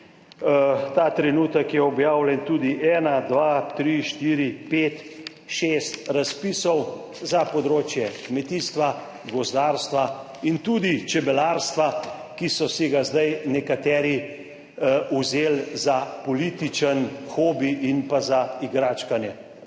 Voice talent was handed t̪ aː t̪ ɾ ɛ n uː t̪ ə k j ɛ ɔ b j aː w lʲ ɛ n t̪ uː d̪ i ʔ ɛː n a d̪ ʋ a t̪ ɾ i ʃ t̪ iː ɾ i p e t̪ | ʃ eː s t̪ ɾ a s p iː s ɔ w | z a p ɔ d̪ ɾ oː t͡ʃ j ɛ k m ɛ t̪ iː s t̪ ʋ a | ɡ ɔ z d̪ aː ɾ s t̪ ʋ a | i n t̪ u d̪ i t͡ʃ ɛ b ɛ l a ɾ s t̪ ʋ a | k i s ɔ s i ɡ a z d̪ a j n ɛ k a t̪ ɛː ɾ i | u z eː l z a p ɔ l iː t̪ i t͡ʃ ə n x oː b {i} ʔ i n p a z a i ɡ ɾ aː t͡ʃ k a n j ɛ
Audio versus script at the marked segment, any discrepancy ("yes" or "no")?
no